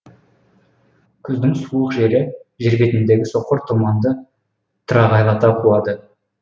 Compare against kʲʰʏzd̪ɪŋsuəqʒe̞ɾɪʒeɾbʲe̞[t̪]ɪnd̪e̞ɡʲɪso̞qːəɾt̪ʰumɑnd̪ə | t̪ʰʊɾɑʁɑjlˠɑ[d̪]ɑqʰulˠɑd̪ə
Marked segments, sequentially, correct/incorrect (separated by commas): correct, incorrect